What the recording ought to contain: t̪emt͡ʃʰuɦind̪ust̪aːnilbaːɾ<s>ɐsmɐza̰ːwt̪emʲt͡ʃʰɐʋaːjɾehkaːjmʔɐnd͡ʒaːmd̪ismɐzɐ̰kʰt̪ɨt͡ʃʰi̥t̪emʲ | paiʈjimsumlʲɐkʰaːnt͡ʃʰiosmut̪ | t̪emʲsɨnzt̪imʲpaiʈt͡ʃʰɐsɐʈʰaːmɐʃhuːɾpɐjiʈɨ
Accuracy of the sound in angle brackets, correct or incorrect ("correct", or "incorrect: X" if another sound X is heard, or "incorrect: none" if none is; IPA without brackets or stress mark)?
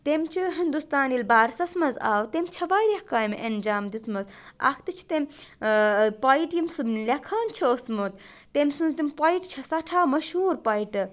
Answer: correct